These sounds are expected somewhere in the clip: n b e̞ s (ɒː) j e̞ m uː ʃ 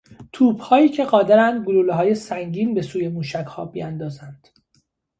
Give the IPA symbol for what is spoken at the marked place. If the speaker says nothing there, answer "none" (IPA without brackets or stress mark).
uː